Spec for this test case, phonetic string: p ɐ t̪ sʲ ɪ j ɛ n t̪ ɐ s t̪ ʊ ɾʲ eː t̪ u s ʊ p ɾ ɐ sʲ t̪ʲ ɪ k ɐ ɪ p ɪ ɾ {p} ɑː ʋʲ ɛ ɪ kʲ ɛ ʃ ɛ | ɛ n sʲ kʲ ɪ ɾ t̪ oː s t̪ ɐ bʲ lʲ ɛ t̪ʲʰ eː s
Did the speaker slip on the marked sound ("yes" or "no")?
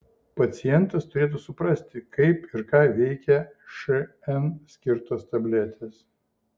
yes